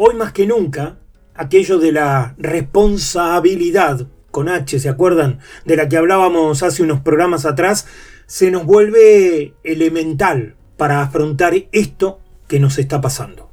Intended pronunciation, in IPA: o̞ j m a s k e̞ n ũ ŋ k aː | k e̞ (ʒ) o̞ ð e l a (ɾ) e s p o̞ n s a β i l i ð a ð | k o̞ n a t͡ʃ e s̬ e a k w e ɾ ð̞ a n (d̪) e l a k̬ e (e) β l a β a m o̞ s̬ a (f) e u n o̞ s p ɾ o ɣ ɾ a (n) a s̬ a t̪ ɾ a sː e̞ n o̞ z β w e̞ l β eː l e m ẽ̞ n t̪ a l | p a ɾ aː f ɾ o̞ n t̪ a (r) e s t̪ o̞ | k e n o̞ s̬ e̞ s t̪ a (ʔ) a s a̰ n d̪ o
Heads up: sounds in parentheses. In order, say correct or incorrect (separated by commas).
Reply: correct, incorrect, correct, incorrect, incorrect, incorrect, incorrect, incorrect